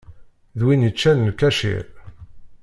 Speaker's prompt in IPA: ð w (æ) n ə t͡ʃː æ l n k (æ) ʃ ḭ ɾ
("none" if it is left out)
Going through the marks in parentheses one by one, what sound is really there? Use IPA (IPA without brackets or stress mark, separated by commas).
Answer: i, æ